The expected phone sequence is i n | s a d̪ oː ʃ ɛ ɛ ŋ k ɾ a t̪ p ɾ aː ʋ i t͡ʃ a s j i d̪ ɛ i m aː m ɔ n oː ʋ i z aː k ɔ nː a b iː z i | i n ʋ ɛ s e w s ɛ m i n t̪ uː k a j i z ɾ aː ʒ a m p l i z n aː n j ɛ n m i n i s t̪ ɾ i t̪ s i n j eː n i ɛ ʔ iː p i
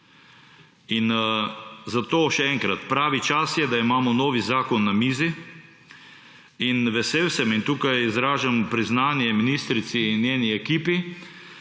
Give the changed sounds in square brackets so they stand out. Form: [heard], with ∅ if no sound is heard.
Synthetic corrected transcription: i n | [z] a [t̪] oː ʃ ɛ ɛ ŋ k ɾ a t̪ p ɾ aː ʋ i t͡ʃ a s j [ɛ] d̪ [a] i m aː m ɔ n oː ʋ i z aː k ɔ nː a [m] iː z i | i n ʋ ɛ s e w s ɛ m i n t̪ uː k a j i z ɾ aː ʒ a m p [ɾ] i z n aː n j ɛ [∅] m i n i s t̪ ɾ i t̪ s i n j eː n i ɛ [k] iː p i